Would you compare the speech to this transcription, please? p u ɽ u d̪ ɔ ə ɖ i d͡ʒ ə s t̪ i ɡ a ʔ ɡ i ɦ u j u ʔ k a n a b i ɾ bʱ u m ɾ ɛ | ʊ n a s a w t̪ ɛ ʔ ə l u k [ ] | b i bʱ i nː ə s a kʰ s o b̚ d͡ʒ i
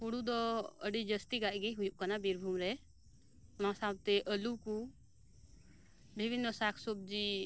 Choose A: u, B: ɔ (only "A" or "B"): A